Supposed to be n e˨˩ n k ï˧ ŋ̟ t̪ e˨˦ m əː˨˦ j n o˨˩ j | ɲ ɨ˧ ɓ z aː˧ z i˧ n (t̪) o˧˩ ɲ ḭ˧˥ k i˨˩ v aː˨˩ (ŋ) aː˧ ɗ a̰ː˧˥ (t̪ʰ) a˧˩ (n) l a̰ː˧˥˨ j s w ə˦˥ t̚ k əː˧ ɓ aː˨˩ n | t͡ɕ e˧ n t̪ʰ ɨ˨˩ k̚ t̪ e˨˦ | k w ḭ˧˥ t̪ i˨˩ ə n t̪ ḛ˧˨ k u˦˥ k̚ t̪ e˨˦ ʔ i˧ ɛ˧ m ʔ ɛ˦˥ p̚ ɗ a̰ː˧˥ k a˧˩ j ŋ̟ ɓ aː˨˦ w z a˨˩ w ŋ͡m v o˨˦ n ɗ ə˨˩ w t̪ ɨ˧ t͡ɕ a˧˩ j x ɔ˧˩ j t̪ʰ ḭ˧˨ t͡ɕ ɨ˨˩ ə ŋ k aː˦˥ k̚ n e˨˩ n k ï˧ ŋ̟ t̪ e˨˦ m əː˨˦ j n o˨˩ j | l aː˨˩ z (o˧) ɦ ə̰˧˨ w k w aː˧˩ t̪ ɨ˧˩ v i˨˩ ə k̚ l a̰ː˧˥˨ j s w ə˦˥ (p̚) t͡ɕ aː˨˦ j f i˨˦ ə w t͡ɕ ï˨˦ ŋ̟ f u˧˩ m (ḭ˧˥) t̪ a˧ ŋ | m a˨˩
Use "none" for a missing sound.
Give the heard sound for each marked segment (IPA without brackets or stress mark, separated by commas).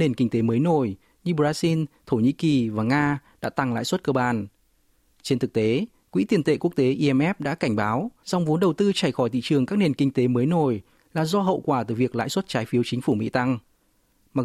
t̪ʰ, ŋ, t̪, ŋ, ɔ˧, t̚, ḭ˧˥